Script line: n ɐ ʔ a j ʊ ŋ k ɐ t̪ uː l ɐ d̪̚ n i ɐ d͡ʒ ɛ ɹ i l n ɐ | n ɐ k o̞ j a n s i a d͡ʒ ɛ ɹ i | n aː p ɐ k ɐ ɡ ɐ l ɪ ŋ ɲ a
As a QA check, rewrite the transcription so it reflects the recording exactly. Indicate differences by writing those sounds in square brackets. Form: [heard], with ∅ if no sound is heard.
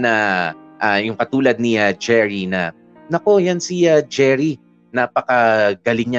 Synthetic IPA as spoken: n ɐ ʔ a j ʊ ŋ k ɐ t̪ uː l ɐ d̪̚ n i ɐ d͡ʒ ɛ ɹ i [∅] n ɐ | n ɐ k o̞ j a n s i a d͡ʒ ɛ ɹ i | n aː p ɐ k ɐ ɡ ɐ l ɪ ŋ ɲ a